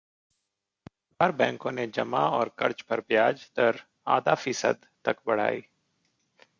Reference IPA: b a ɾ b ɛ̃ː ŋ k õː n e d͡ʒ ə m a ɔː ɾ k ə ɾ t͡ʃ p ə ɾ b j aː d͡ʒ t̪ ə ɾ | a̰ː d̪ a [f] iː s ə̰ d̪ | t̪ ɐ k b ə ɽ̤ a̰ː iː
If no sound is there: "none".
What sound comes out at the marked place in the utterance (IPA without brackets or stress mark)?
f